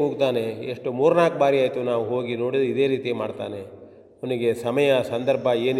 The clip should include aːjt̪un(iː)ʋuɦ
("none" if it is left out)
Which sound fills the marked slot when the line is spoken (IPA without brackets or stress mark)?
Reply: aː